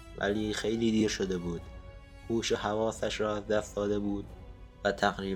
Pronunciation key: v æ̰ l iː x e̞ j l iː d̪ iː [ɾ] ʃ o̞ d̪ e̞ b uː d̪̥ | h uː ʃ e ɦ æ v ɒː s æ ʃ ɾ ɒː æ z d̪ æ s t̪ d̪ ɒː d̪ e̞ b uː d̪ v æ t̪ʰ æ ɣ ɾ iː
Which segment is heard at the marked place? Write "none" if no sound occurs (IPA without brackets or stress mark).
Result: ɾ